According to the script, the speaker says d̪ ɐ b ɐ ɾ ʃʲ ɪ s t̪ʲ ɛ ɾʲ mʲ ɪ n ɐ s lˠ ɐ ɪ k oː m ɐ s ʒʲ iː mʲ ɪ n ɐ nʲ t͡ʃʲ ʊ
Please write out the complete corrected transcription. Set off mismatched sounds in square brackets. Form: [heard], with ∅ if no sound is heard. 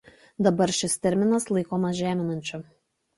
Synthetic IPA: d̪ ɐ b ɐ ɾ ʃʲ ɪ s t̪ʲ ɛ ɾʲ mʲ ɪ n ɐ s lˠ ɐ ɪ k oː m ɐ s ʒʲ [æː] mʲ ɪ n ɐ nʲ t͡ʃʲ ʊ